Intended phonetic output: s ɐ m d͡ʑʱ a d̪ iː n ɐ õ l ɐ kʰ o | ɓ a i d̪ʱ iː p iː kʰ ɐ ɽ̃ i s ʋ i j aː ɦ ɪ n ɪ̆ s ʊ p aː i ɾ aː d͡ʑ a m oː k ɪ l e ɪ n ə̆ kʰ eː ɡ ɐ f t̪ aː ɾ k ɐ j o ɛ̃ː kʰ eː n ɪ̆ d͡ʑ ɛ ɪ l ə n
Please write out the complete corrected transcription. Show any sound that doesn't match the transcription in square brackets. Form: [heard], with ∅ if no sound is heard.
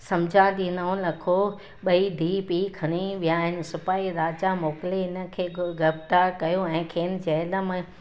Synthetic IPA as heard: s ɐ m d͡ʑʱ a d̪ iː n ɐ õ l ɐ kʰ o | ɓ [ɐ] i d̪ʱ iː p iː kʰ ɐ ɽ̃ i [∅] ʋ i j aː ɦ ɪ n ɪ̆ s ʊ p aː i ɾ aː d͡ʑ a m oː k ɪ l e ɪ n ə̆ kʰ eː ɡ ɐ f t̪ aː ɾ k ɐ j o ɛ̃ː kʰ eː n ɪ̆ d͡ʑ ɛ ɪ l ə [m]